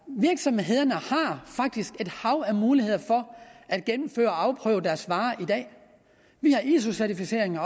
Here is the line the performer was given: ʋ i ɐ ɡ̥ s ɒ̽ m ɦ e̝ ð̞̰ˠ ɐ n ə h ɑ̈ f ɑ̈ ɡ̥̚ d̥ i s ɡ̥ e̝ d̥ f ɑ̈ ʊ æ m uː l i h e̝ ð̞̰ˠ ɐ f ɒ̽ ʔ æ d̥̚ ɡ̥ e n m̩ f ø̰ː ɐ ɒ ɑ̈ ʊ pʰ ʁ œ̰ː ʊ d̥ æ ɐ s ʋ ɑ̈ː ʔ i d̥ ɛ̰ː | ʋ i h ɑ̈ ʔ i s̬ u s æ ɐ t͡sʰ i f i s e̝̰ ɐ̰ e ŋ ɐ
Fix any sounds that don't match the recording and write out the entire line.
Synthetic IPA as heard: ʋ i ɐ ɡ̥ s ɒ̽ m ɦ e̝ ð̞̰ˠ ɐ n ə h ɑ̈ f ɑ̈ ɡ̥̚ d̥ i s ɡ̥ e̝ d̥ h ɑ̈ ʊ æ m uː l i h e̝ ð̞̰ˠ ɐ f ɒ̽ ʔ æ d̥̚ ɡ̥ e n m̩ f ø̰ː ɐ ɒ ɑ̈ ʊ pʰ ʁ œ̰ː ʊ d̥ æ ɐ s ʋ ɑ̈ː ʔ i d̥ ɛ̰ː | ʋ i h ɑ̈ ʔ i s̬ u s æ ɐ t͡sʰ i f i s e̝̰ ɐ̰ e ŋ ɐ